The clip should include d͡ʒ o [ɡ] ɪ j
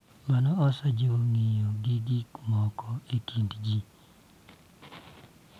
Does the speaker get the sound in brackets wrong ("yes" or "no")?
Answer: yes